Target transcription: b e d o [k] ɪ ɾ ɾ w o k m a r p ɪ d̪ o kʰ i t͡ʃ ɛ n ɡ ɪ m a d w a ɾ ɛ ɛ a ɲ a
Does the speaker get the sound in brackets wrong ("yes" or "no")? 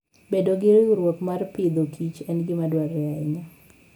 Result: yes